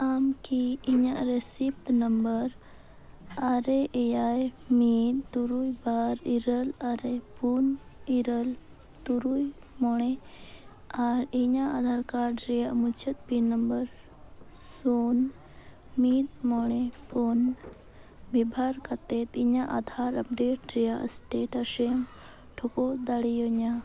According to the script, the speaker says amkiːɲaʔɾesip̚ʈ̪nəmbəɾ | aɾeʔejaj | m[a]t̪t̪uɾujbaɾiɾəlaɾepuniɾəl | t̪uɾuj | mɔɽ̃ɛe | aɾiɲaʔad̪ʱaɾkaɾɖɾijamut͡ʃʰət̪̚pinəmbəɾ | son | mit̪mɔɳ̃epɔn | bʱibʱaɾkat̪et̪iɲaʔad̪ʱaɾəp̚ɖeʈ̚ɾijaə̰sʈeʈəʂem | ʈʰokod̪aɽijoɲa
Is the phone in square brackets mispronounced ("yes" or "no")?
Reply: yes